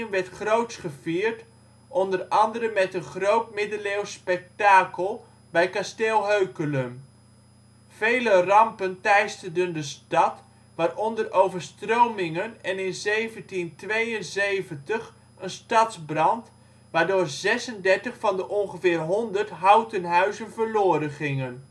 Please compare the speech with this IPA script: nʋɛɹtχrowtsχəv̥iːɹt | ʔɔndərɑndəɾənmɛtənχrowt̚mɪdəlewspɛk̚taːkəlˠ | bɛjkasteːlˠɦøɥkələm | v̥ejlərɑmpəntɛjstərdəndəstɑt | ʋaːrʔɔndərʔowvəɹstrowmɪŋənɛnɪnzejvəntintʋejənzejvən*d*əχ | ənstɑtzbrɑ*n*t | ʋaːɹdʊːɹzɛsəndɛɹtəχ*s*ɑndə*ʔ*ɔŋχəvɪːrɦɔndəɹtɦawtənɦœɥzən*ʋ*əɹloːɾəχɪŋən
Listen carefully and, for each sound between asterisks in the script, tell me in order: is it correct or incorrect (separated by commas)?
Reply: incorrect, correct, incorrect, correct, incorrect